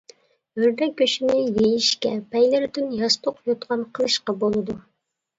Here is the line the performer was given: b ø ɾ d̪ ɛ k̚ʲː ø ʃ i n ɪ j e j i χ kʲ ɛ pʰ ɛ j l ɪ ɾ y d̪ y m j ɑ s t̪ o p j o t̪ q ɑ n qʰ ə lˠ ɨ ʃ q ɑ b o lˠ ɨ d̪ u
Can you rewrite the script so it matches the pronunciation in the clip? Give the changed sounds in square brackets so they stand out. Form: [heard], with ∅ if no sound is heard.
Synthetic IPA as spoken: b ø ɾ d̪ ɛ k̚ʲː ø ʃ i n ɪ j e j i [ʃ] kʲ ɛ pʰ ɛ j l ɪ ɾ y d̪ y [n] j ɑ s t̪ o [q] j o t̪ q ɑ n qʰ ə lˠ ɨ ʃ q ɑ b o lˠ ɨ d̪ u

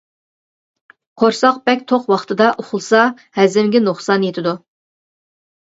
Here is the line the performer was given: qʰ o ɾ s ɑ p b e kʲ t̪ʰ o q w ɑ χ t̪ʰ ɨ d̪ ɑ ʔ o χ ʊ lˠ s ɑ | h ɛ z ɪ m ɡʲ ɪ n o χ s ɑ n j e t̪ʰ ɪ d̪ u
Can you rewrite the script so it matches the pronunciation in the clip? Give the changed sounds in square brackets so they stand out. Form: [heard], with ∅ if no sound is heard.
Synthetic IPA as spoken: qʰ o ɾ s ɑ [q] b [ɛ] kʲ t̪ʰ o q w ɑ χ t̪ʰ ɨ d̪ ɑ ʔ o χ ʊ lˠ s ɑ | h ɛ z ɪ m ɡʲ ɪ n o χ s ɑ n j e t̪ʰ ɪ d̪ u

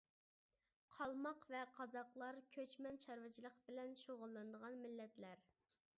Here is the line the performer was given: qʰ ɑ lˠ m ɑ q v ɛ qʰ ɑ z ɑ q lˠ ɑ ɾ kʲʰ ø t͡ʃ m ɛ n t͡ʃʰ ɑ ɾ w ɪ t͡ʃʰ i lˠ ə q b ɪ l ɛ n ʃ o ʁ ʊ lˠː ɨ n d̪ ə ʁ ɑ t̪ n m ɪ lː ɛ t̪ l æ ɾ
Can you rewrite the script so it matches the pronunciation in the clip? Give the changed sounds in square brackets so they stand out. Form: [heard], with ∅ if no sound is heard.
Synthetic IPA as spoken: qʰ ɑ lˠ m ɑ q v ɛ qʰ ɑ z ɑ q lˠ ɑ ɾ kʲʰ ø t͡ʃ m ɛ n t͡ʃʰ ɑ ɾ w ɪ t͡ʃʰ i lˠ ə q b ɪ l ɛ n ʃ o ʁ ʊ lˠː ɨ n d̪ ə ʁ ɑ [∅] n m ɪ lː ɛ t̪ l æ ɾ

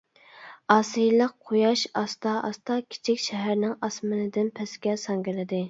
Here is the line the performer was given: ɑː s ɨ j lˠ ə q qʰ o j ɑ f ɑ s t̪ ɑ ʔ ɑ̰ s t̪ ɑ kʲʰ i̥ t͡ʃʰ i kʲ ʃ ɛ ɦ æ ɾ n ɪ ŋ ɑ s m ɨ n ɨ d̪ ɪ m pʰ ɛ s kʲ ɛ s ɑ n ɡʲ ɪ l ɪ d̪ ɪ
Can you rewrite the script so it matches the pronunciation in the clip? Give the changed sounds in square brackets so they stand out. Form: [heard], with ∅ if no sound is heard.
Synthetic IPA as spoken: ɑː s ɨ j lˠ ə q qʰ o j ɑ [ʃ] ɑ s t̪ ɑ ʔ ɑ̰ s t̪ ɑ kʲʰ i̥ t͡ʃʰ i kʲ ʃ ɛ ɦ æ ɾ n ɪ ŋ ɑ s m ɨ n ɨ d̪ ɪ [n] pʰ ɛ s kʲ ɛ s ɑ [ŋ] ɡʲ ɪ l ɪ d̪ ɪ

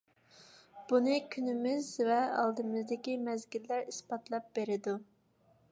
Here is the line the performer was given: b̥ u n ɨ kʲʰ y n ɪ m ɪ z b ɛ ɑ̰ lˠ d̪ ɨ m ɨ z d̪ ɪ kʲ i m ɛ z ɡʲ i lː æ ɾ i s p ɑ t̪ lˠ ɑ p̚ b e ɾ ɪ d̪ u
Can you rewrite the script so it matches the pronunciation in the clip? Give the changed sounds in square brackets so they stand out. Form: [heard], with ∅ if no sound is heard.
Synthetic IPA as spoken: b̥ u n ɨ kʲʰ y n ɪ m ɪ z [v] ɛ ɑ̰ lˠ d̪ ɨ m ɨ z d̪ ɪ kʲ i m ɛ z ɡʲ i lː æ ɾ i s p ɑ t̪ lˠ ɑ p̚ b e ɾ ɪ d̪ u

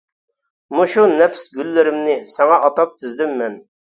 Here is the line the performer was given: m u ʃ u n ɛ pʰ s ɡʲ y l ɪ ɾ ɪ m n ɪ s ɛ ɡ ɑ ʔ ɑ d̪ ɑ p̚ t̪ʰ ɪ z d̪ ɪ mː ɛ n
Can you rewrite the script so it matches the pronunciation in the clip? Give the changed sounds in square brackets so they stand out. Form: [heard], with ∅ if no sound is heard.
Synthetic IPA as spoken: m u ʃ u n ɛ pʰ s ɡʲ y [lː] ɪ ɾ ɪ m n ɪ s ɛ [ŋ] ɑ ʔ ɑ [t̪] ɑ p̚ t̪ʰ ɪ z d̪ ɪ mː ɛ n

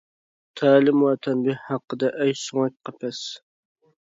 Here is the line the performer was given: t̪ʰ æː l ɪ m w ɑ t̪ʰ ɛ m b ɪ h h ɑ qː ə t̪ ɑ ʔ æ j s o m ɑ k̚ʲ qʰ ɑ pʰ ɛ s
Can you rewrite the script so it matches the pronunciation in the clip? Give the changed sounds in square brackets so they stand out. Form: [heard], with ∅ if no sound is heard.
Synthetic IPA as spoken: t̪ʰ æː l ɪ m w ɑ t̪ʰ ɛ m b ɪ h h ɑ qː ə [d̪] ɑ ʔ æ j s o [ŋ] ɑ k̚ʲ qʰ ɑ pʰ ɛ s

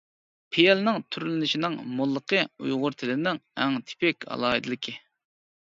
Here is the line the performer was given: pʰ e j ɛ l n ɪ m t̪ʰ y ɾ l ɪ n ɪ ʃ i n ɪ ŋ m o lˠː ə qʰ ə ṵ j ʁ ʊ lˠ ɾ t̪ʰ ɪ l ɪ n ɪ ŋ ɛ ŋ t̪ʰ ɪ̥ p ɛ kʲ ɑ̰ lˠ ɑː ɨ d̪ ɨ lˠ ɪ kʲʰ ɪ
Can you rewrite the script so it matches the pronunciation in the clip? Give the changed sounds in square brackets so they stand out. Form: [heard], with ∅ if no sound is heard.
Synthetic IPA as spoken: pʰ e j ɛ l n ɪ [ŋ] t̪ʰ y ɾ l ɪ n ɪ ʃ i n ɪ ŋ m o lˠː ə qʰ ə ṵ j ʁ ʊ [∅] ɾ t̪ʰ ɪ l ɪ n ɪ ŋ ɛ ŋ t̪ʰ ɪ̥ p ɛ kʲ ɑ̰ lˠ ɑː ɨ d̪ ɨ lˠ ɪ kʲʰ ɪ

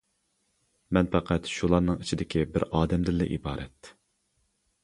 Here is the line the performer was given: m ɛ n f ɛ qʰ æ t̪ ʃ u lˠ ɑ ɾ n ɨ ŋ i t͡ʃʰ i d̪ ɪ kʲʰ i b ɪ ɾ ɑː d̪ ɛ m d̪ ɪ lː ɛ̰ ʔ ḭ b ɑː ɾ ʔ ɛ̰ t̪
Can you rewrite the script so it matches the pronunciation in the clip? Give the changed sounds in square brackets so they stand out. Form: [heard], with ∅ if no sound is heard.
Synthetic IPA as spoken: m ɛ n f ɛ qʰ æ t̪ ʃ u lˠ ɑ ɾ n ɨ ŋ i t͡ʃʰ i d̪ ɪ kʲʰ i b ɪ ɾ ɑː d̪ ɛ m d̪ ɪ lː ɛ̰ ʔ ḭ b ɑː ɾ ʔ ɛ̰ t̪

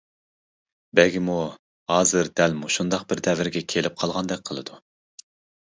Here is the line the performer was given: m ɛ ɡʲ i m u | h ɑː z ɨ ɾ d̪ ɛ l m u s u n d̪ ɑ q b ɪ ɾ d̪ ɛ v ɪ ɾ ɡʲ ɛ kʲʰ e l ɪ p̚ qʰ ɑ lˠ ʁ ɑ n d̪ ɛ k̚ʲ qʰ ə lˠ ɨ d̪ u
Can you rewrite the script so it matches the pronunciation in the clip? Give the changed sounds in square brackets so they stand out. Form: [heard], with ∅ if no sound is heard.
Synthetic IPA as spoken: [b] ɛ ɡʲ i m u | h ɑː z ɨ ɾ d̪ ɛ l m u [ʃ] u n d̪ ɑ q b ɪ ɾ d̪ ɛ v ɪ ɾ ɡʲ ɛ kʲʰ e l ɪ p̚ qʰ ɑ lˠ ʁ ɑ n d̪ ɛ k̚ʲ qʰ ə lˠ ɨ d̪ u

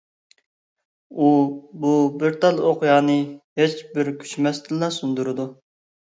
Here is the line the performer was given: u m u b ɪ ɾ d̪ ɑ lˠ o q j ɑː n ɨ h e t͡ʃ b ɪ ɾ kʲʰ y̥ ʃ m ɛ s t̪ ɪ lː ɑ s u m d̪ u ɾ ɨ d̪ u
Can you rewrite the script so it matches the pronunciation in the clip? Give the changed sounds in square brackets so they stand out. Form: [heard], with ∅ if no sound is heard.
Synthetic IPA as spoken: u [b] u b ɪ ɾ [t̪] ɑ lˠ o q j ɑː n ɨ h e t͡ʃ b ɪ ɾ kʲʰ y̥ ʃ m ɛ s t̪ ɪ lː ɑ s u [n] d̪ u ɾ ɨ d̪ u

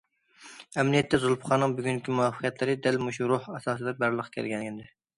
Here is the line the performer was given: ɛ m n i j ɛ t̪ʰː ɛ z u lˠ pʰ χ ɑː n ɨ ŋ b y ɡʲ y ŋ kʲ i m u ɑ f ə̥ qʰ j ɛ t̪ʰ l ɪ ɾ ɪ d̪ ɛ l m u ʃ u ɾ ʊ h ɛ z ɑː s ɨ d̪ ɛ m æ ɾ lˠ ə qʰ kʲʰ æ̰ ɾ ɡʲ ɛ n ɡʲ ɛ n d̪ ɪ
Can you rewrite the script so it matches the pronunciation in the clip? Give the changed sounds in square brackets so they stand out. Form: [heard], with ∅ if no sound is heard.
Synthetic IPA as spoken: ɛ m n i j ɛ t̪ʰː ɛ z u lˠ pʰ χ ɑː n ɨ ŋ b y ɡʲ y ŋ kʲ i m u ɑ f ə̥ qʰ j ɛ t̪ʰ l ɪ ɾ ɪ d̪ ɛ l m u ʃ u ɾ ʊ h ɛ [s] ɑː s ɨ d̪ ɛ [b] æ ɾ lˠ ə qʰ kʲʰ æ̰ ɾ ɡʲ ɛ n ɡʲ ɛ n d̪ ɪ

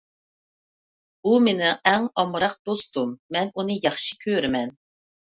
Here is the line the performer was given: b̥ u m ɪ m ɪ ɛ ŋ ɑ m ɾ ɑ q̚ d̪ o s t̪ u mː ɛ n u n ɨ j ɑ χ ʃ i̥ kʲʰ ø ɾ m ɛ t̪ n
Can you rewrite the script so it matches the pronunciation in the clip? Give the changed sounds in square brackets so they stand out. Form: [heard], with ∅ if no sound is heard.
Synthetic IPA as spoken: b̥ u m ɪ [n] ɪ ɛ ŋ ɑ m ɾ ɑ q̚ d̪ o s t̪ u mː ɛ n u n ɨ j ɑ χ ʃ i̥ kʲʰ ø ɾ m ɛ [∅] n

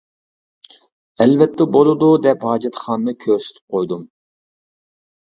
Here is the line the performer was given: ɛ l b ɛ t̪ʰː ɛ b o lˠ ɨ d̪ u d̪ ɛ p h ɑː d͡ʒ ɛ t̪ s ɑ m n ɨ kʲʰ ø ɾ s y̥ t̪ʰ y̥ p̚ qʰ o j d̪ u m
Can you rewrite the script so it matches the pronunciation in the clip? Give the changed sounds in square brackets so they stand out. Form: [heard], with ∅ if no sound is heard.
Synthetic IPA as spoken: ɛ l [v] ɛ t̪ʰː ɛ b o lˠ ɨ d̪ u d̪ ɛ p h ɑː d͡ʒ ɛ t̪ [χ] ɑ [n] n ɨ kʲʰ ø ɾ s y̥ t̪ʰ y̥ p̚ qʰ o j d̪ u m

